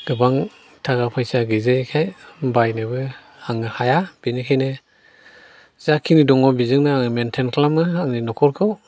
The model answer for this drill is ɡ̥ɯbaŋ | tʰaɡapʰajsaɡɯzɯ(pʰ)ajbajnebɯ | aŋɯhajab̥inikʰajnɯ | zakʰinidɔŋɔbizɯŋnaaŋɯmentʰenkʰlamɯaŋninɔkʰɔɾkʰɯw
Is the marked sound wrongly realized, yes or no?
yes